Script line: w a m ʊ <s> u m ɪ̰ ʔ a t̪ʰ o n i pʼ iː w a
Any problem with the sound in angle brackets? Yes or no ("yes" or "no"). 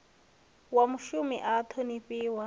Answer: yes